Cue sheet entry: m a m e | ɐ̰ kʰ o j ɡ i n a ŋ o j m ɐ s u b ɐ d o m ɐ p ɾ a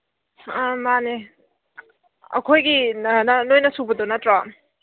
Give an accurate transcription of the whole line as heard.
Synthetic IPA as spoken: m a n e | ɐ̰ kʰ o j ɡ i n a n o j n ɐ s u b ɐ d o n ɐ t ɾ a